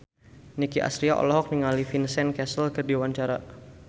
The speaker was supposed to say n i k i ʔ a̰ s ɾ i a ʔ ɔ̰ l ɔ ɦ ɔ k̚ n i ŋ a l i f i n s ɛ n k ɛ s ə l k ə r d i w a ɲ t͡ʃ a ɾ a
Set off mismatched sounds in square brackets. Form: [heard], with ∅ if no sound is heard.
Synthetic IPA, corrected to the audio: n i k i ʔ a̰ s ɾ i a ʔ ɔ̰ l ɔ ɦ ɔ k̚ n i ŋ a l i f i n s ɛ n k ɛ s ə l k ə r d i w a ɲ t͡ʃ a ɾ a